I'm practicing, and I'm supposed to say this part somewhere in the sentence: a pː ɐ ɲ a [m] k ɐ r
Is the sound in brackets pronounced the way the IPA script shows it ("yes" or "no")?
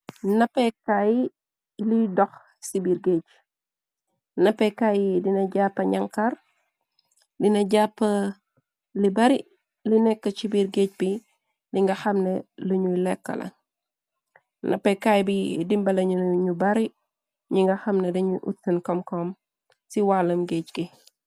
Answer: no